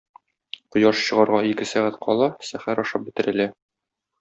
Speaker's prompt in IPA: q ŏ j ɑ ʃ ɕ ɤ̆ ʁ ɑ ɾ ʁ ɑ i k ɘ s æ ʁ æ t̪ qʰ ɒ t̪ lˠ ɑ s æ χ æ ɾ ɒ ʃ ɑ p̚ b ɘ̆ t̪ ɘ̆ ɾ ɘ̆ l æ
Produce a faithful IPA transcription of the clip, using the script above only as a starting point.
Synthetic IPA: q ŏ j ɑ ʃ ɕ ɤ̆ ʁ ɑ ɾ ʁ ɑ i k ɘ s æ ʁ æ t̪ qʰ ɒ lˠ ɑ s æ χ æ ɾ ɒ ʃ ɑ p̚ b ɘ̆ t̪ ɘ̆ ɾ ɘ̆ l æ